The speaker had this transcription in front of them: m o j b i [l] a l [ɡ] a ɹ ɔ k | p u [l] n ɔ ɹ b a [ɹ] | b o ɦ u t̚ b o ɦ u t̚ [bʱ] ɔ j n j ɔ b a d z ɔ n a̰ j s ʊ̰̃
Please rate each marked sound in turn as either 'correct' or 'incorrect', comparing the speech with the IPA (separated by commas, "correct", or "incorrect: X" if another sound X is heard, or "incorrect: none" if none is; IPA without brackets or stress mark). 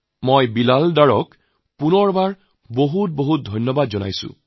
correct, incorrect: d, incorrect: none, correct, incorrect: dʱ